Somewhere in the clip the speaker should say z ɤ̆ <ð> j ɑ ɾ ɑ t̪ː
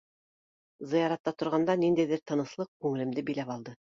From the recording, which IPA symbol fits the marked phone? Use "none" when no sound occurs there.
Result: none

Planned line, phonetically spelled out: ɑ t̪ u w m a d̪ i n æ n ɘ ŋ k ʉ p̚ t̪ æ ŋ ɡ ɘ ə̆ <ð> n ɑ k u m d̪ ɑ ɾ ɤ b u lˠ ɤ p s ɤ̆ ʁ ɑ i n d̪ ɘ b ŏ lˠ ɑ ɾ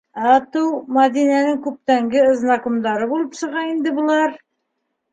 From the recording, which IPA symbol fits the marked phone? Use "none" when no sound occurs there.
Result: z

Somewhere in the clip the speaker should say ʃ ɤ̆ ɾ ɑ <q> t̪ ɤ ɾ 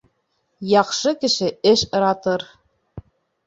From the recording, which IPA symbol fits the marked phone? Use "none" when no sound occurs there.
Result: none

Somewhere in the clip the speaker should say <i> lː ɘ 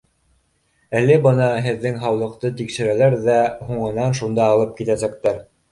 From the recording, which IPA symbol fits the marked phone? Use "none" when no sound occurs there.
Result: æ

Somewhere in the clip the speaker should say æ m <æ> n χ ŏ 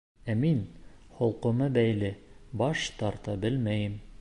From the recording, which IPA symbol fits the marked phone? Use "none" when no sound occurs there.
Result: i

